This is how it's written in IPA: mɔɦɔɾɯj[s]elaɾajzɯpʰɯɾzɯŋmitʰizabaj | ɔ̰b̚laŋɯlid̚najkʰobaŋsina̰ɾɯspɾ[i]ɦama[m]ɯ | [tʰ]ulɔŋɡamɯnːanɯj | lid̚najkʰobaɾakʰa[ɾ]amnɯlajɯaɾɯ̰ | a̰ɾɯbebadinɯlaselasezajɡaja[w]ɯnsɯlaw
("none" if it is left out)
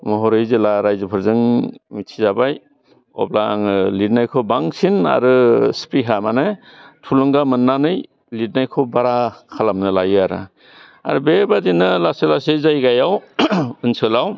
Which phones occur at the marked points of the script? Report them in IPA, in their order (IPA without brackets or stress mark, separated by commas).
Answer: z, i, n, tʰ, l, w